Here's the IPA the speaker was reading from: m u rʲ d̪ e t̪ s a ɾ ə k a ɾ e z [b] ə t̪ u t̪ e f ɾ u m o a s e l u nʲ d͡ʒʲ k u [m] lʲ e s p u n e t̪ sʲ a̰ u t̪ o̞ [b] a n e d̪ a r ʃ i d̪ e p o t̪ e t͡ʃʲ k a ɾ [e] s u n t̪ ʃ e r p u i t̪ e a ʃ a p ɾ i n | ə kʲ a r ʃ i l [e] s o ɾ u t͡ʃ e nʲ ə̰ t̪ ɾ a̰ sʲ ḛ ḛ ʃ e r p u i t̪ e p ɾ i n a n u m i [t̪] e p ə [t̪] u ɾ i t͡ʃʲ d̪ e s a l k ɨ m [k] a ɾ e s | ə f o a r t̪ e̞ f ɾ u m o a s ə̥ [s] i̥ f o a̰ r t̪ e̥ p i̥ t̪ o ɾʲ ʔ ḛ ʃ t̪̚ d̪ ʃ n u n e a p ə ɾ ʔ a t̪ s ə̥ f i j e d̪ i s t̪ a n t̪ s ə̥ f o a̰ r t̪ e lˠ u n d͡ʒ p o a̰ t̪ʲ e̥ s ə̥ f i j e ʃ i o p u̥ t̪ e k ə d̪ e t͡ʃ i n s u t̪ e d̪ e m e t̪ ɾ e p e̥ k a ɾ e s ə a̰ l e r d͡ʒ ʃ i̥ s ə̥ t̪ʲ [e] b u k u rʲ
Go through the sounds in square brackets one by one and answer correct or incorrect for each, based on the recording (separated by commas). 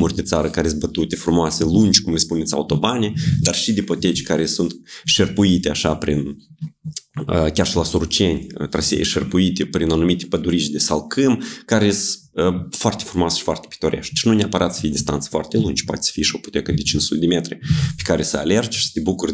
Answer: correct, correct, correct, correct, incorrect, correct, incorrect, correct, incorrect, correct